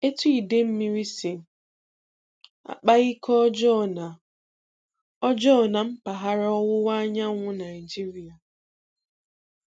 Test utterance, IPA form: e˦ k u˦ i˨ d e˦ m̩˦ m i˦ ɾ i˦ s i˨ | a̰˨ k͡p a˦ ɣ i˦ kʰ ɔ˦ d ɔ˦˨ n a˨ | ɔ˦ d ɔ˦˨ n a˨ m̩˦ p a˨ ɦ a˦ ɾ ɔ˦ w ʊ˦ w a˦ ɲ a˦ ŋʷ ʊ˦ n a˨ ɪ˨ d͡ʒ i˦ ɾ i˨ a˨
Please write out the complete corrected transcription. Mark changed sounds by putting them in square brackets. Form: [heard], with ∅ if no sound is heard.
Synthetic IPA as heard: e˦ [t] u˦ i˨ d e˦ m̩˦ m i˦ ɾ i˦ s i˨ | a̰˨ k͡p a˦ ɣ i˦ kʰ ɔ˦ [d͡ʒ] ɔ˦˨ n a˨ | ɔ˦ [d͡ʒ] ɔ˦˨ n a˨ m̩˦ p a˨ ɦ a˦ ɾ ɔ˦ w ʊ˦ w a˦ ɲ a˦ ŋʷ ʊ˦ n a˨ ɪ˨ d͡ʒ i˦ ɾ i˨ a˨